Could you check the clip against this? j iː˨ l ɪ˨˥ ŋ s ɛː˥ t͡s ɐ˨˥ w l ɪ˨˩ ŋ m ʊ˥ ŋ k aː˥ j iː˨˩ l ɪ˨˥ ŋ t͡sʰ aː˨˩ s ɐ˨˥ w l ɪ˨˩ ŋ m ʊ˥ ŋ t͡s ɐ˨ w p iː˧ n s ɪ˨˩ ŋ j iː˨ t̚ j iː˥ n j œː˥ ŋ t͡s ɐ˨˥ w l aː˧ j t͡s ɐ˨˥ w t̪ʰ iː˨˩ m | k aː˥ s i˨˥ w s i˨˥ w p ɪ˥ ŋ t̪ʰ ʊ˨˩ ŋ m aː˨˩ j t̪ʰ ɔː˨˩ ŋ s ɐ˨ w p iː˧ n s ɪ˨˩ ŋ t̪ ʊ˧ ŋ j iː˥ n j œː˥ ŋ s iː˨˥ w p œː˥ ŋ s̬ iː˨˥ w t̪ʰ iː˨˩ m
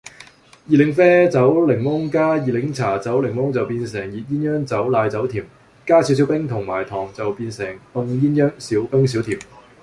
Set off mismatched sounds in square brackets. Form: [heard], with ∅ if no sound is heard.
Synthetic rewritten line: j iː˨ l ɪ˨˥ ŋ [f] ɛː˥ t͡s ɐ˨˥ w l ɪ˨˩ ŋ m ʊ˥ ŋ k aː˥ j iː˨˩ l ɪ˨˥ ŋ t͡sʰ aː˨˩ [t͡s] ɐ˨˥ w l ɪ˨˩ ŋ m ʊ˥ ŋ t͡s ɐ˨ w p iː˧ n s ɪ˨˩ ŋ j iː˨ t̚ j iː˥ n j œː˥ ŋ t͡s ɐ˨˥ w l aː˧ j t͡s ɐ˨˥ w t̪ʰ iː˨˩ m | k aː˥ s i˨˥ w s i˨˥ w p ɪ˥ ŋ t̪ʰ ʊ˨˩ ŋ m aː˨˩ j t̪ʰ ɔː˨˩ ŋ [t͡s] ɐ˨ w p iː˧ n s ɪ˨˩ ŋ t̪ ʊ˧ ŋ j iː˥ n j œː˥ ŋ s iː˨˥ w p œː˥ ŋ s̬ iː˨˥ w t̪ʰ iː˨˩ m